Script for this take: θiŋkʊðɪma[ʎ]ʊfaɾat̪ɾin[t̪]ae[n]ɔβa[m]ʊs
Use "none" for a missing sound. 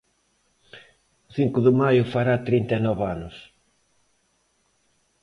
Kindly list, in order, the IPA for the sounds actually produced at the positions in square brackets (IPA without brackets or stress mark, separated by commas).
j, t̪, n, n